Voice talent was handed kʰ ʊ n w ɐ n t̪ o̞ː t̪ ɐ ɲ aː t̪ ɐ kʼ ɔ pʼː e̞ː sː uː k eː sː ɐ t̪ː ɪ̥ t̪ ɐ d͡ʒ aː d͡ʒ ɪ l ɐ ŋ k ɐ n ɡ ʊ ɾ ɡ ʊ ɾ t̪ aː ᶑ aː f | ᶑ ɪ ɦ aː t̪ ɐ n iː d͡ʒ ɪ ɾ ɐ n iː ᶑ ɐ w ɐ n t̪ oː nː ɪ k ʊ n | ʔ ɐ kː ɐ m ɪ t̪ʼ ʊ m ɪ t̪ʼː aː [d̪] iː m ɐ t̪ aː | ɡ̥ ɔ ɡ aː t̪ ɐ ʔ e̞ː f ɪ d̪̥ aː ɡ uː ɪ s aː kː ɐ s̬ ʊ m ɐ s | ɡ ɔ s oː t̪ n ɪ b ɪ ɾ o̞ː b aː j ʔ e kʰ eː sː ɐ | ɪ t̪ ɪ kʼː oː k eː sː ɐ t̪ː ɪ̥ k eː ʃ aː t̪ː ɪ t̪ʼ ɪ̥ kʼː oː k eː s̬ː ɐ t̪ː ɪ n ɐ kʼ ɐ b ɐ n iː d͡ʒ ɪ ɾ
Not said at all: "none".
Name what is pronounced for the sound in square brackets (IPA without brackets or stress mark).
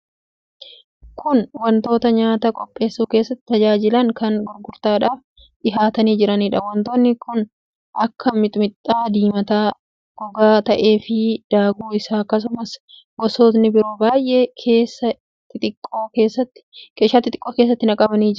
d̪